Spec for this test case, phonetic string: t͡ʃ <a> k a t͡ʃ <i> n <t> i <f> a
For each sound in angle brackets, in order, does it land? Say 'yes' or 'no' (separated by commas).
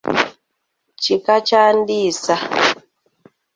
no, no, no, no